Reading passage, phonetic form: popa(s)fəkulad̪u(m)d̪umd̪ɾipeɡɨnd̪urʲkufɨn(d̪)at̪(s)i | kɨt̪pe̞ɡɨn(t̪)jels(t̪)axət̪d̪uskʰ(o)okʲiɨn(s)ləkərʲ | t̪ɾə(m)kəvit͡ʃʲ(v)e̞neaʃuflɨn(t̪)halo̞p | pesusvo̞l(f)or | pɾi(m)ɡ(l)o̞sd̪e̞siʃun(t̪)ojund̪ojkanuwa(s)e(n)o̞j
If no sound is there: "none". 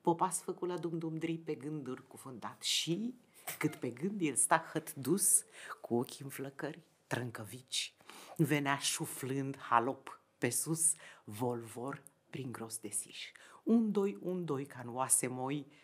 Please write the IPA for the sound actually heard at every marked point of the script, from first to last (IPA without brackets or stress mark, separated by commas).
s, m, d̪, ʃ, d̪, t̪, u, f, ŋ, v, d̪, v, ŋ, ɾ, d̪, s, m